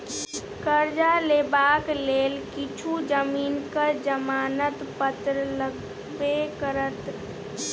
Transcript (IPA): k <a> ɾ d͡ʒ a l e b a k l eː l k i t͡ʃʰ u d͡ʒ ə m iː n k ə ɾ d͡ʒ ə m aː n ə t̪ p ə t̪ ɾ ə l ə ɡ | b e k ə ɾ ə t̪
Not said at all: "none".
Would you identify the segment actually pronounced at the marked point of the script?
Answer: ə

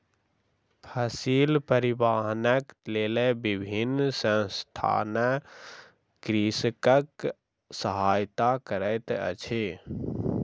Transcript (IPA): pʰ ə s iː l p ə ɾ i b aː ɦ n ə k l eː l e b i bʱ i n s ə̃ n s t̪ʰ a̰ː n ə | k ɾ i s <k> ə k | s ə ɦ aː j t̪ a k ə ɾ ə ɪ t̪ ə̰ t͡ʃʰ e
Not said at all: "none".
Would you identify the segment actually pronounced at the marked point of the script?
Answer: k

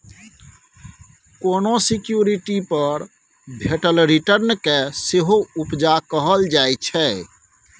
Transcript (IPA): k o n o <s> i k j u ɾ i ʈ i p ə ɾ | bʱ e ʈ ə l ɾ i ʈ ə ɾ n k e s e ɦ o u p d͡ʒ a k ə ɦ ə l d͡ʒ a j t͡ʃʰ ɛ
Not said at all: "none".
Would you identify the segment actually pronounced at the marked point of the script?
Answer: s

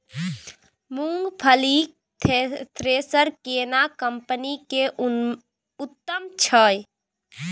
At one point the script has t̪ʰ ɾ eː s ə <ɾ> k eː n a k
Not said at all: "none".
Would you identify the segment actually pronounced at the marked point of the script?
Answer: ɾ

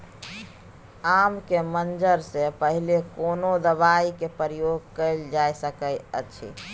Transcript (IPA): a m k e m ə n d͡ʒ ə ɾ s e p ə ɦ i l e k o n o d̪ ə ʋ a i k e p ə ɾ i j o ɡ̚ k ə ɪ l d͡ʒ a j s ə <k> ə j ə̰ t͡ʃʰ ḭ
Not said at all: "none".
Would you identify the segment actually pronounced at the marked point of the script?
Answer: k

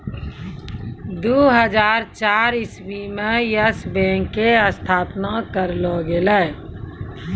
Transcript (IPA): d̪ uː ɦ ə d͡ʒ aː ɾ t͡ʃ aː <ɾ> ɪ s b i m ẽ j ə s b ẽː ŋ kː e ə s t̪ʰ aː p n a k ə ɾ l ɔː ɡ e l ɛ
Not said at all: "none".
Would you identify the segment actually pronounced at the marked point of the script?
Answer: ɾ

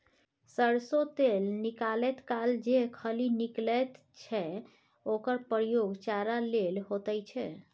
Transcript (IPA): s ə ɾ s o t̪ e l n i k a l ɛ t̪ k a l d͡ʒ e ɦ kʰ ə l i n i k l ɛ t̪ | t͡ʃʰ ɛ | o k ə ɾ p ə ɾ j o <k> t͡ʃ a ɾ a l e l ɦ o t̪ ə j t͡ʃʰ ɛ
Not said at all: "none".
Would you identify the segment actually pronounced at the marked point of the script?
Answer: ɡ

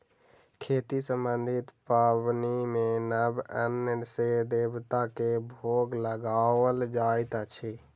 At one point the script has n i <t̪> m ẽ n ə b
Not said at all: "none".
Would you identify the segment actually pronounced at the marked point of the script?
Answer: none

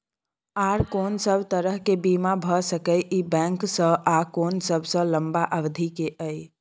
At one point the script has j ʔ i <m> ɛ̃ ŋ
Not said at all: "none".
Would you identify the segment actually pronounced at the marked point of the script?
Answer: b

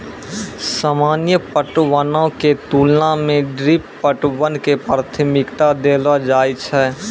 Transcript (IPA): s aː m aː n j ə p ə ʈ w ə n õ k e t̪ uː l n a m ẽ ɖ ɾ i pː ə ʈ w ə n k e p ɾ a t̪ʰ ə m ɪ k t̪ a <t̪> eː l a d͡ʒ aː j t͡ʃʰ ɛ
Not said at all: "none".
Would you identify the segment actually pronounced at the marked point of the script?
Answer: d̪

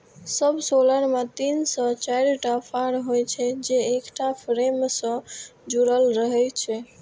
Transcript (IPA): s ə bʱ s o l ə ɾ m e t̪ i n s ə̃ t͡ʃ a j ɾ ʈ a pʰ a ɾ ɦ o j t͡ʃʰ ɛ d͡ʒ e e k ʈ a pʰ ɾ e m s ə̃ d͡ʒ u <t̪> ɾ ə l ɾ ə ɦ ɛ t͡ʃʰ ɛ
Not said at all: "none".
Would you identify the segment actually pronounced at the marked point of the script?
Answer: none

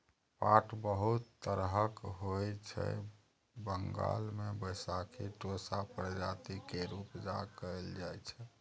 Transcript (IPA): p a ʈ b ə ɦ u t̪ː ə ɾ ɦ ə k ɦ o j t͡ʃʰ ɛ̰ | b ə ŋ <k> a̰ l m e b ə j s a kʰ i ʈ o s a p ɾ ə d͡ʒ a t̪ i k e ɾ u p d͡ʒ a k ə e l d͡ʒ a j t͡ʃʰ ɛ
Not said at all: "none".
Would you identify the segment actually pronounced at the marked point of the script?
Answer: ɡ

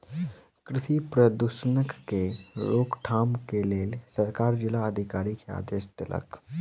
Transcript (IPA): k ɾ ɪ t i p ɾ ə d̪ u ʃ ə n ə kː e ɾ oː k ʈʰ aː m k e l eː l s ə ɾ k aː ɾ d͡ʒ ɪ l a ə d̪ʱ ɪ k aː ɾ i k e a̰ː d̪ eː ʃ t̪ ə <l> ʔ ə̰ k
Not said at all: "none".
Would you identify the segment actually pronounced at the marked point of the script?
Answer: l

